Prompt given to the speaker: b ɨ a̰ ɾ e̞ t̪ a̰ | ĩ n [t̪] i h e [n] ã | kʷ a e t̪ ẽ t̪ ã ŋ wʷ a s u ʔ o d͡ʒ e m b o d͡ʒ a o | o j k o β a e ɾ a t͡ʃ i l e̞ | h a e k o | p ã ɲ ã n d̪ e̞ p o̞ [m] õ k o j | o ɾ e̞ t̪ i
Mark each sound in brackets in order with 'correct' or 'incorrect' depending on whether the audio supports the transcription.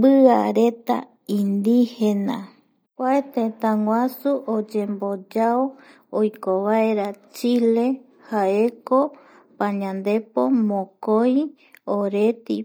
incorrect, correct, correct

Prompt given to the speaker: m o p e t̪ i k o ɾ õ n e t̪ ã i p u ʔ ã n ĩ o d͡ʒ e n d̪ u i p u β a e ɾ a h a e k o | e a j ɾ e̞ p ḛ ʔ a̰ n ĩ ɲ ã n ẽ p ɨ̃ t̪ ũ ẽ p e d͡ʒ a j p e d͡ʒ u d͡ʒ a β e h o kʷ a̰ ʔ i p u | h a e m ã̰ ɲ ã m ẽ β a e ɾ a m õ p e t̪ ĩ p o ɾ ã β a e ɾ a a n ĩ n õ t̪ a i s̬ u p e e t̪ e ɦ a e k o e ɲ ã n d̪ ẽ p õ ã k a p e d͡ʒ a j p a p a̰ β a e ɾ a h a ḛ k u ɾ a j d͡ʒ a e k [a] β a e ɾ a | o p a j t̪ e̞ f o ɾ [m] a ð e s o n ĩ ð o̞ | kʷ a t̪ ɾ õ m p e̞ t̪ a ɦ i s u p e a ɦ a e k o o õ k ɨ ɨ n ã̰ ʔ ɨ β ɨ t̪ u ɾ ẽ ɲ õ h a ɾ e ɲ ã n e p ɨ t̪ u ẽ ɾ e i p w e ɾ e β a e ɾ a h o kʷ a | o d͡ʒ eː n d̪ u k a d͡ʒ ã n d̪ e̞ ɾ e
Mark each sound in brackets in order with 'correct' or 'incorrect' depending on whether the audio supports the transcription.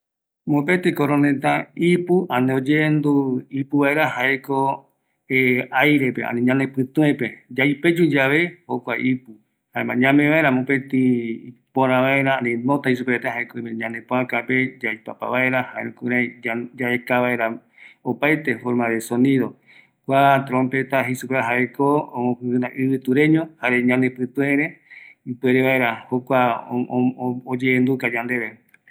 correct, correct

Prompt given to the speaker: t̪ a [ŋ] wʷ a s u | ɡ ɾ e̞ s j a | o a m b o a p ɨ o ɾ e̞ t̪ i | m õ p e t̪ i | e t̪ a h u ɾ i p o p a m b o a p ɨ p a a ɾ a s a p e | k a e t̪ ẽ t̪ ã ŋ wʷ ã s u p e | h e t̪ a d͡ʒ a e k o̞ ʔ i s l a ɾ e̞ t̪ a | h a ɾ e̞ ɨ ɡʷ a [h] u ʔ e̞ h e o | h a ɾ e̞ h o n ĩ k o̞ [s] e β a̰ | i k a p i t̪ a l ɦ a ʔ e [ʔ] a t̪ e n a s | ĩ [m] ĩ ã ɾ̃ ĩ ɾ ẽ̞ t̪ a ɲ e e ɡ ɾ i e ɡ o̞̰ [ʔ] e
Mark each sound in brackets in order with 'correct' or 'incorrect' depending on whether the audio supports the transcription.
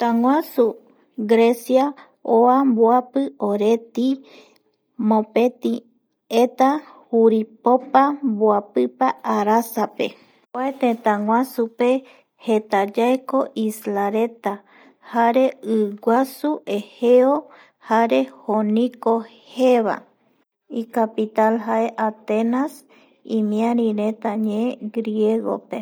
correct, incorrect, incorrect, correct, correct, incorrect

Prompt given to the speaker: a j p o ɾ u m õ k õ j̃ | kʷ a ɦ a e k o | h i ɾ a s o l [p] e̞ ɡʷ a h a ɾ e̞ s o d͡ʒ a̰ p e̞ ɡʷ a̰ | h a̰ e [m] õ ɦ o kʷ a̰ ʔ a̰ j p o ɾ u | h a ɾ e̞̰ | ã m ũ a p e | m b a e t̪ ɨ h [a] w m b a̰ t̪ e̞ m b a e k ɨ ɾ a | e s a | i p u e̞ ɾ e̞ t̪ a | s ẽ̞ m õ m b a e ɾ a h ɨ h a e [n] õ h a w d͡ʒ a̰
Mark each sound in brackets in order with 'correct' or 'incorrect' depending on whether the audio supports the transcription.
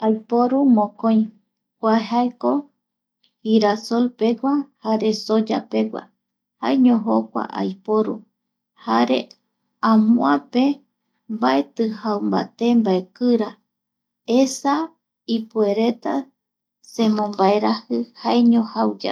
correct, incorrect, correct, incorrect

